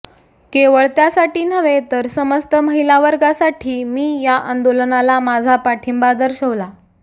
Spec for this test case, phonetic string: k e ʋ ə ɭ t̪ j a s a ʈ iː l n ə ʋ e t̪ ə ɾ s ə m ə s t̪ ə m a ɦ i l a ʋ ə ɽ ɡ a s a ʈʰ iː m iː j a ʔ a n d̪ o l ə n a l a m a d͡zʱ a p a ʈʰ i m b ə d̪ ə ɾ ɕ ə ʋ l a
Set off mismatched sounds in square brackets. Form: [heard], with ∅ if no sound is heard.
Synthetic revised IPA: k e ʋ ə ɭ t̪ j a s a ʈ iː [∅] n ə ʋ e t̪ ə ɾ s ə m ə s t̪ ə m [ə] ɦ i l a ʋ ə [ɾ] ɡ a s a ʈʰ iː m iː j a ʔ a n d̪ o l ə n a l a m a d͡zʱ a p a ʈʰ i m b [a] d̪ ə ɾ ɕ ə ʋ l a